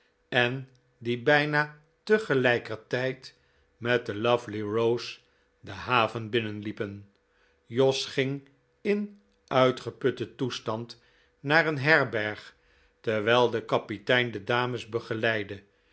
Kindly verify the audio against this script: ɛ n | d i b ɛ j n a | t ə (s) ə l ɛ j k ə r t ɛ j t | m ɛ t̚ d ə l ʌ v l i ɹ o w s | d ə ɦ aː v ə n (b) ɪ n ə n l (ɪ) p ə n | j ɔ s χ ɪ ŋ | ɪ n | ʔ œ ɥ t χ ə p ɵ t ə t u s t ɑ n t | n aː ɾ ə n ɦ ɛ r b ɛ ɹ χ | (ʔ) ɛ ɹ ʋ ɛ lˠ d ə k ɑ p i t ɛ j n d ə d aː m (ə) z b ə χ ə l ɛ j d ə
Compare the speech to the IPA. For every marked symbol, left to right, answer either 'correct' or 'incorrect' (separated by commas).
incorrect, correct, incorrect, incorrect, correct